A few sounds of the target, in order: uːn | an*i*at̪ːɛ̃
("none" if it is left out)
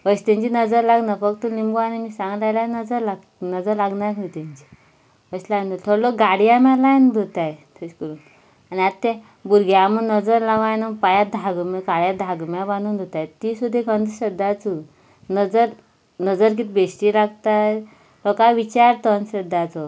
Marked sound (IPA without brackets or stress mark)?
i